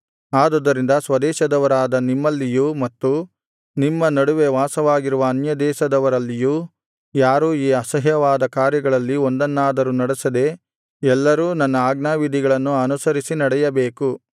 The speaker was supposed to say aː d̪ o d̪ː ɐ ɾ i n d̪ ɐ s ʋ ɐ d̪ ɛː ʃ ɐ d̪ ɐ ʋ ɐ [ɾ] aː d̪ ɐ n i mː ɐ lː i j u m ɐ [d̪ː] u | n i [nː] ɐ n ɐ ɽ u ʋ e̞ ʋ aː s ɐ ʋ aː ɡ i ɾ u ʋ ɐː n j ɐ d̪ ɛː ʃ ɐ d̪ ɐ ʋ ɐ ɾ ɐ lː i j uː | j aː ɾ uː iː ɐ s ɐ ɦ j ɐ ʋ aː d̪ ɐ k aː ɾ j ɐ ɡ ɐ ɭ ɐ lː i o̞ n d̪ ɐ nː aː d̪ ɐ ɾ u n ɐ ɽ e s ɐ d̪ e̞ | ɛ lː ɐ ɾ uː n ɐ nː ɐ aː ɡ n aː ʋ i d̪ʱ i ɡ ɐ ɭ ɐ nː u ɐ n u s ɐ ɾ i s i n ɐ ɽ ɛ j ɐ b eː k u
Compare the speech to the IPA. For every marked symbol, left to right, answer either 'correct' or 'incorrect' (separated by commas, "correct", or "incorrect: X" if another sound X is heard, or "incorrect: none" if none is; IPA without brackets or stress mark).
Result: correct, incorrect: t̪ː, incorrect: mː